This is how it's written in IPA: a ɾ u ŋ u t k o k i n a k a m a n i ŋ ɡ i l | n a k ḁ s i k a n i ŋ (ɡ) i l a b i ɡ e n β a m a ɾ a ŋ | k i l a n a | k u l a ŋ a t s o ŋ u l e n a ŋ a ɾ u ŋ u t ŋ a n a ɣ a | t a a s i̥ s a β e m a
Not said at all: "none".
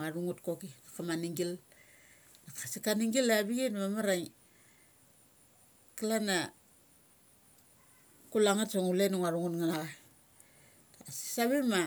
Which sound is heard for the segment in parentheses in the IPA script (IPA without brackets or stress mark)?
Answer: ɡ